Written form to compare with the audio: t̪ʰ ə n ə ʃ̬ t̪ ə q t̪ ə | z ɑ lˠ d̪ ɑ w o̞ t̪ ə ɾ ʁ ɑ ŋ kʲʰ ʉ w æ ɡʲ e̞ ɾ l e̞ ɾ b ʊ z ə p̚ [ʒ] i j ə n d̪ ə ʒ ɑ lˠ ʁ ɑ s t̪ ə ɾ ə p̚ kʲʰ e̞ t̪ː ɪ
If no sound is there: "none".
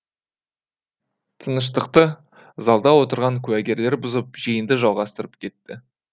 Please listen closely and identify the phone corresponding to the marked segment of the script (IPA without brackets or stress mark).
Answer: ʒ